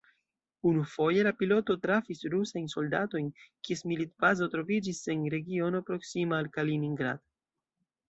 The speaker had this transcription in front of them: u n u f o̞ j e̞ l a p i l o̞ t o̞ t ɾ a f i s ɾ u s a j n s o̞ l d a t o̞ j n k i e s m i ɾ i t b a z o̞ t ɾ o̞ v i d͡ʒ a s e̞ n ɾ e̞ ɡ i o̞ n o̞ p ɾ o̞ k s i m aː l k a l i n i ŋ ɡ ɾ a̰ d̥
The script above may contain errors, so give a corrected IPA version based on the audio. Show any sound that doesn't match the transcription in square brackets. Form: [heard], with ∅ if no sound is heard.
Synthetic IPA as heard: u n u f o̞ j e̞ l a p i l o̞ t o̞ t ɾ a f i s ɾ u s a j n s o̞ l d a t o̞ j n k i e s m i [l] i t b a z o̞ t ɾ o̞ v i d͡ʒ [i] s e̞ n ɾ e̞ ɡ i o̞ n o̞ p ɾ o̞ k s i m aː l k a l i n i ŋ ɡ ɾ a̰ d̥